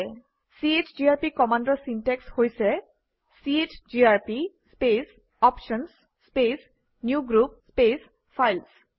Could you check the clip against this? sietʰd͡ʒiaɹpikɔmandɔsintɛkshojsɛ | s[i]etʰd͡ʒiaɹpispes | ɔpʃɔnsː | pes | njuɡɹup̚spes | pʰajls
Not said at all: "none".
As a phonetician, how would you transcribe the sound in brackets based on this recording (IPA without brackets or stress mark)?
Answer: i